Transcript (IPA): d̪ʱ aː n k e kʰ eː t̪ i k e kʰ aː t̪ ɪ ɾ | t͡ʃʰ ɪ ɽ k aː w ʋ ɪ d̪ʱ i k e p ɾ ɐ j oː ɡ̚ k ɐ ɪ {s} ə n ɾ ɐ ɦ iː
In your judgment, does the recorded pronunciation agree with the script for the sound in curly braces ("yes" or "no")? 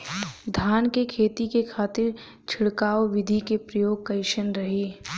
no